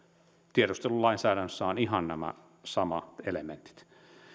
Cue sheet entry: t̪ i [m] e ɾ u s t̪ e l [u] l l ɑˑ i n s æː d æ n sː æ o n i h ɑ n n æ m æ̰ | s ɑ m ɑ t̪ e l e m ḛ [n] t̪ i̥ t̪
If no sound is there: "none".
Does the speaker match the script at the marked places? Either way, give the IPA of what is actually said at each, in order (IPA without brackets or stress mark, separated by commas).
none, u, n